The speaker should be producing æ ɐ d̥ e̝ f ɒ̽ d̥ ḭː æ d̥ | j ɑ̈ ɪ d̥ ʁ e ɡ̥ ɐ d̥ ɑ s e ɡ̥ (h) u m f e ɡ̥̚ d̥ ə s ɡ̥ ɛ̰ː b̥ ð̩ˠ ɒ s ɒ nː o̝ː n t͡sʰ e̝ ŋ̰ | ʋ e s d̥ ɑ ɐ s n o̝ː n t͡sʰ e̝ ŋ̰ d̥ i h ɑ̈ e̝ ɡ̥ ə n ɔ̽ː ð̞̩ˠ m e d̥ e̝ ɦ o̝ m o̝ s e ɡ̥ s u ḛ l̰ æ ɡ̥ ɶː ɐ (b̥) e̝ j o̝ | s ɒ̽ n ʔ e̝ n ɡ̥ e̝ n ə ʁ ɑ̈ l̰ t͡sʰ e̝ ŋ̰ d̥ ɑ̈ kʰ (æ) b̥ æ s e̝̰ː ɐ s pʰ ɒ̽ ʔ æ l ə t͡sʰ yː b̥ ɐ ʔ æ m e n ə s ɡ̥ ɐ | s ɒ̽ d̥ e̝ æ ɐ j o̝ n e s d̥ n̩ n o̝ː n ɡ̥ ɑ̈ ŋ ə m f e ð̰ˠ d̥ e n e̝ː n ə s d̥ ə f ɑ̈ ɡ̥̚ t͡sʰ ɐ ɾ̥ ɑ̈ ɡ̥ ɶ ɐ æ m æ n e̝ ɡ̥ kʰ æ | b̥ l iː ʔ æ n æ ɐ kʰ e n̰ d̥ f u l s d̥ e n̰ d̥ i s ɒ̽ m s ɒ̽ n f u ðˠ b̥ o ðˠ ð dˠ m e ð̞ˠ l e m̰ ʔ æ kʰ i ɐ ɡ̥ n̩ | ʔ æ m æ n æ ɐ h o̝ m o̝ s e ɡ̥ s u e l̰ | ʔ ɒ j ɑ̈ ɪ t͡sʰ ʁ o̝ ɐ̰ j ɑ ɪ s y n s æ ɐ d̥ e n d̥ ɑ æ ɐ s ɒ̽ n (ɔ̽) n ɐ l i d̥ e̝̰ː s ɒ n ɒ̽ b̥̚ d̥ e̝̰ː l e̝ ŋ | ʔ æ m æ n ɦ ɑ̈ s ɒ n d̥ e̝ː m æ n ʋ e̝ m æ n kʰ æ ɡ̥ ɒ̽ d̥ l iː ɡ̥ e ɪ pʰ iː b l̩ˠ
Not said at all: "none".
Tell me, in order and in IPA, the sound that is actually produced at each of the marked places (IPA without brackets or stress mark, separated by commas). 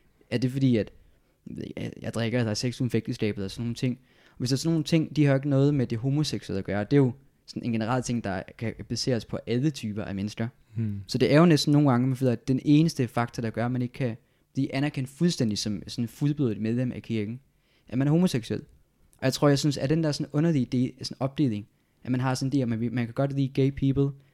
s, d̥, æ, ɔ̽